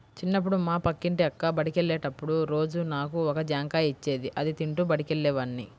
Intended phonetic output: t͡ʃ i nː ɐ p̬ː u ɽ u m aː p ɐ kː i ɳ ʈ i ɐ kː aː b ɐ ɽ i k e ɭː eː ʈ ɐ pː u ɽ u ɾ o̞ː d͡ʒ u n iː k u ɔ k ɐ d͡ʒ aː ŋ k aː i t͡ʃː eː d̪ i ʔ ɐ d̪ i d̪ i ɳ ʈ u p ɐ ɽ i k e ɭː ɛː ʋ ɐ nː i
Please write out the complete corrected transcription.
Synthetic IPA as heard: t͡ʃ i nː ɐ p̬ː u ɽ u m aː p ɐ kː i ɳ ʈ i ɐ kː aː b ɐ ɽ i k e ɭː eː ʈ ɐ pː u ɽ u ɾ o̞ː d͡ʒ u n aː k u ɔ k ɐ d͡ʒ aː ŋ k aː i t͡ʃː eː d̪ i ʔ ɐ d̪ i t̪ i ɳ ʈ u b ɐ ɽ i k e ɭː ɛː ʋ ɐ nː i